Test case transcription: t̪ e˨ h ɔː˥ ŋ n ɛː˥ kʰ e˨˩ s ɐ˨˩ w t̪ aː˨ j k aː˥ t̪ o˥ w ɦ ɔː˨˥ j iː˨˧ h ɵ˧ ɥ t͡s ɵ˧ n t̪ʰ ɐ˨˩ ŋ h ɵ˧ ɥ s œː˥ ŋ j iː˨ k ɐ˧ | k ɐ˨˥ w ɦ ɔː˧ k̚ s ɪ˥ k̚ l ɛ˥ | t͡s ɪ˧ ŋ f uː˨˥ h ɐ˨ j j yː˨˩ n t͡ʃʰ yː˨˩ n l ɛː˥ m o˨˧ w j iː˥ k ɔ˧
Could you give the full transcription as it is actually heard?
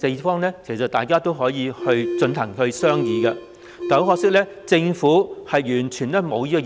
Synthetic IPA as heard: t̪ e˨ f ɔː˥ ŋ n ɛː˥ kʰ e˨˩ s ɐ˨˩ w t̪ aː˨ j k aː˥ t̪ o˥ w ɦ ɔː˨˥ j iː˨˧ h ɵ˧ ɥ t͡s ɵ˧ n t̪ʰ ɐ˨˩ ŋ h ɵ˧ ɥ s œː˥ ŋ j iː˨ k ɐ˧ | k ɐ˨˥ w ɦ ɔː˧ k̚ s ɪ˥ k̚ l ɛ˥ | t͡s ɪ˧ ŋ f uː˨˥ h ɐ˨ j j yː˨˩ n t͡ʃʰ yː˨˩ n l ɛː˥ m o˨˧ w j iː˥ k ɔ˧